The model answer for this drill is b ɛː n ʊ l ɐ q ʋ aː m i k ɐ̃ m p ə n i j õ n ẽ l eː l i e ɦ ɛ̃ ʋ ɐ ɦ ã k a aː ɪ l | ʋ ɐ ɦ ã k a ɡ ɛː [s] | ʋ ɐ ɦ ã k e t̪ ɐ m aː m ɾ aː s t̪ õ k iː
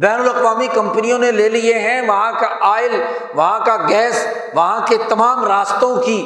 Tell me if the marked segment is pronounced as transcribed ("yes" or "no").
yes